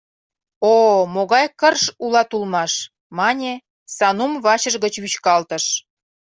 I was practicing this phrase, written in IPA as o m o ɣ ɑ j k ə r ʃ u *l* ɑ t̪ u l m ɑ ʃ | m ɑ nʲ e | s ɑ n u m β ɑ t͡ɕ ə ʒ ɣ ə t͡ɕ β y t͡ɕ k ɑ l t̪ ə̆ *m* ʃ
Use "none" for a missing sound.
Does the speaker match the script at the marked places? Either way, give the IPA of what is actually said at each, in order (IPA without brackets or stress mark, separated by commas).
l, none